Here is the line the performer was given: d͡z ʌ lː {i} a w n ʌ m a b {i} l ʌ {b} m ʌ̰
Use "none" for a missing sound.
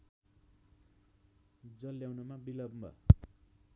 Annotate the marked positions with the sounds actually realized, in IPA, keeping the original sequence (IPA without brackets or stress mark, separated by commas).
j, i, b